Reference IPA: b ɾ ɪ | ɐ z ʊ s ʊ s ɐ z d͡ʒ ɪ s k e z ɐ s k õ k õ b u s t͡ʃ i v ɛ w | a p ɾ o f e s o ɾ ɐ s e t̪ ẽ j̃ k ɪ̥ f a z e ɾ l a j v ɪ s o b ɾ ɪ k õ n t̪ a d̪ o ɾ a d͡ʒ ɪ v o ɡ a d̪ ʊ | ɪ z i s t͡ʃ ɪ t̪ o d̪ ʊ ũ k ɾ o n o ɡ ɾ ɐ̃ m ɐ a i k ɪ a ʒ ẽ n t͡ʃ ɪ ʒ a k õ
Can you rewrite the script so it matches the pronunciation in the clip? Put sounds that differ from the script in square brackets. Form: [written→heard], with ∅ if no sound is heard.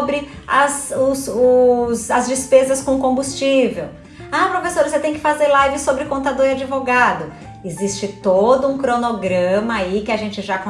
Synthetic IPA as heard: b ɾ ɪ | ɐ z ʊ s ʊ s ɐ z d͡ʒ ɪ s [k→p] e z ɐ s k õ k õ b u s t͡ʃ i v [ɛ→e] w | a p ɾ o f e s o ɾ ɐ s e t̪ ẽ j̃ k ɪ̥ f a z e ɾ l a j v ɪ s o b ɾ ɪ k õ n t̪ a d̪ o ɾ a d͡ʒ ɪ v o ɡ a d̪ ʊ | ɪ z i s t͡ʃ ɪ t̪ o d̪ ʊ ũ k ɾ o n o ɡ ɾ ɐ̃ m ɐ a i k ɪ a ʒ ẽ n t͡ʃ ɪ ʒ a k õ